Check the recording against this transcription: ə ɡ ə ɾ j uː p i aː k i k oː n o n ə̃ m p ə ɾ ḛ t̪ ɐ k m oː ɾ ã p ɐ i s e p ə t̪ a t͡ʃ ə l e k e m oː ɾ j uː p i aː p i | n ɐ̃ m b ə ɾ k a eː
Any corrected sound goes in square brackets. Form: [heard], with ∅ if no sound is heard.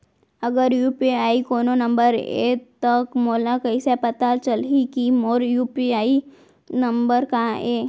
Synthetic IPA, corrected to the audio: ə ɡ ə ɾ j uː p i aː [∅] i k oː n o n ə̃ m [b] ə ɾ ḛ t̪ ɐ k m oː [l] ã [k] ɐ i s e p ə t̪ a t͡ʃ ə l [i] k [i] m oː ɾ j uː p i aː [∅] i | n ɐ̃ m b ə ɾ k a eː